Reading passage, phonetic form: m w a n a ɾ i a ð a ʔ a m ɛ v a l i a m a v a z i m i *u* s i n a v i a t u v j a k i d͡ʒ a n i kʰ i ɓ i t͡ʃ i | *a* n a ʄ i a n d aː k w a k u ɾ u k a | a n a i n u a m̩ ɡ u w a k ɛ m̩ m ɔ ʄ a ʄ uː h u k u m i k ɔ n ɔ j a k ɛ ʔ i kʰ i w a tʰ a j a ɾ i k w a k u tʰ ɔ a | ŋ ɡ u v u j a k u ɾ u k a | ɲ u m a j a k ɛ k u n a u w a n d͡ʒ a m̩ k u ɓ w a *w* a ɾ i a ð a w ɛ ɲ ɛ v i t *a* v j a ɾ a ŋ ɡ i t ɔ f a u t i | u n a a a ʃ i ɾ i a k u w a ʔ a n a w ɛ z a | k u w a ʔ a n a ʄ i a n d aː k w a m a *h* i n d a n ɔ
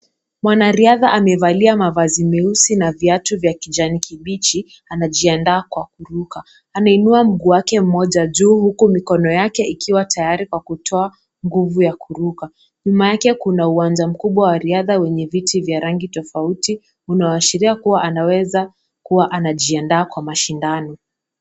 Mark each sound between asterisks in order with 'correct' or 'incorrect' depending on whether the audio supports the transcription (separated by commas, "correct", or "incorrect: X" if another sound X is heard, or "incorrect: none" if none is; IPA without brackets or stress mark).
correct, correct, correct, incorrect: i, incorrect: ʃ